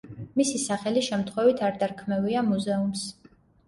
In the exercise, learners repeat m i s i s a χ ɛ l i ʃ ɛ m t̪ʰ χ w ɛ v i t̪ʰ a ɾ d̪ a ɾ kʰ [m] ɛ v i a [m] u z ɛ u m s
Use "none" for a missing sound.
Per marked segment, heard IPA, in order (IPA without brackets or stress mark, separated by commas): m, m